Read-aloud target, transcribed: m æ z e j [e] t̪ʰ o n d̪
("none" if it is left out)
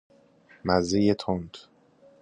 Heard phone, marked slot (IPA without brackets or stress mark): e